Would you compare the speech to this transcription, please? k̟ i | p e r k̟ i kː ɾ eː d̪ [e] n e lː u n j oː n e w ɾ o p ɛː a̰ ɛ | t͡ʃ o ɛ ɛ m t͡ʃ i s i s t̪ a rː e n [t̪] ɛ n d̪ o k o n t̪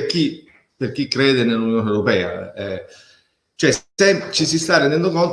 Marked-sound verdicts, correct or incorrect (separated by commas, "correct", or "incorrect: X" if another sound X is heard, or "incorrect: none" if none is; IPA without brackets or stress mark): correct, incorrect: d̪